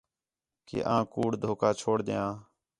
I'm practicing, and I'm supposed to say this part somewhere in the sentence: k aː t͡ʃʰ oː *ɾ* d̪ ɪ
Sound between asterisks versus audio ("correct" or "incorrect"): incorrect